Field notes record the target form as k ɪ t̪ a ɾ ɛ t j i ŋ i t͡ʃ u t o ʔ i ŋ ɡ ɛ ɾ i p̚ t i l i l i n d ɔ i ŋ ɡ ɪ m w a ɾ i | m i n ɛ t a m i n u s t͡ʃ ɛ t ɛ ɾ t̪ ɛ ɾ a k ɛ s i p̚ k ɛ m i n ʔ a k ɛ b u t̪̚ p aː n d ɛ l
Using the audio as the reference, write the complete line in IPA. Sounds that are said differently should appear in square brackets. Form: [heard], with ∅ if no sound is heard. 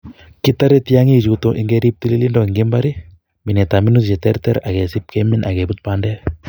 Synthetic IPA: k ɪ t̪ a ɾ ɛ t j [a] ŋ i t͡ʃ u t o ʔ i ŋ ɡ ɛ ɾ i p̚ t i l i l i n d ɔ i ŋ ɡ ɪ m [b] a ɾ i | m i n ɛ t a m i n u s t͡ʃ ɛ t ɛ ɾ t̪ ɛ ɾ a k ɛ s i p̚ k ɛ m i n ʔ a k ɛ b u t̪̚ p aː n d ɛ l